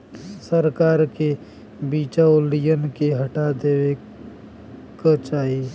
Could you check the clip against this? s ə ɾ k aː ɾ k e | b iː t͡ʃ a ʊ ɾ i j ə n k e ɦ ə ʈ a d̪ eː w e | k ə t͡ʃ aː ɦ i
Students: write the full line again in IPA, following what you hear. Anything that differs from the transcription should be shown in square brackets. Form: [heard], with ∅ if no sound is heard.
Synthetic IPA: s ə ɾ k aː ɾ k e | b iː t͡ʃ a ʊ [l] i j ə n k e ɦ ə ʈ a d̪ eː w e | k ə t͡ʃ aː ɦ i